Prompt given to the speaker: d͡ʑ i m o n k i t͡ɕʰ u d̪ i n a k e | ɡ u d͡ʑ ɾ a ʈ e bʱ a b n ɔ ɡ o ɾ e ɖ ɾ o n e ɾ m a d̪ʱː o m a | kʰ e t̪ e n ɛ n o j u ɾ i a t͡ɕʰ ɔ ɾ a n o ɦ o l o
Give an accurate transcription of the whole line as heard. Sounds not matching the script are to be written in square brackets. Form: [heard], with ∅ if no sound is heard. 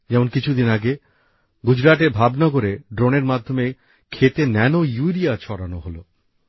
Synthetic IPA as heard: d͡ʑ [ɛ] m o n k i t͡ɕʰ u d̪ i n a [ɡ] e | ɡ u d͡ʑ ɾ a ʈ e bʱ a b n ɔ ɡ o ɾ e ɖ ɾ o n e ɾ m a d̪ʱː o m [e] | kʰ e t̪ e n ɛ n o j u ɾ i a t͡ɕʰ ɔ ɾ a n o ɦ o l o